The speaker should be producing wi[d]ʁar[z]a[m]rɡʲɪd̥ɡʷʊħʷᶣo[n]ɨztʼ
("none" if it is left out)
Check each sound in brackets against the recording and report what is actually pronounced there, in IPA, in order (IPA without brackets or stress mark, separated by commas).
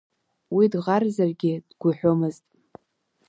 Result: d, z, none, m